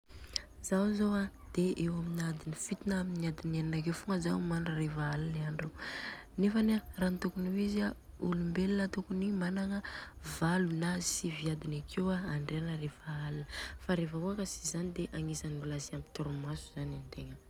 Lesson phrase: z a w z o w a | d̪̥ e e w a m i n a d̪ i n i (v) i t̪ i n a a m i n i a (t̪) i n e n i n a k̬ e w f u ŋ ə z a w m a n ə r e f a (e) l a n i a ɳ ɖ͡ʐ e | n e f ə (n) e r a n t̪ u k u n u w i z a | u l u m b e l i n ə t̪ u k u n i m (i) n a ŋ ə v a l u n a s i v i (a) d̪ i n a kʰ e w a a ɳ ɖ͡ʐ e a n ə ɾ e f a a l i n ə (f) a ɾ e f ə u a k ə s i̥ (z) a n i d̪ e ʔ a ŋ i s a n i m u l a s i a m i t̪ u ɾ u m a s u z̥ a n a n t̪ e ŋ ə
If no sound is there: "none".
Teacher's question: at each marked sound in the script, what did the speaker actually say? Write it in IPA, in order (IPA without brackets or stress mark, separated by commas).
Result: f, d̪, a, n, a, a, f, z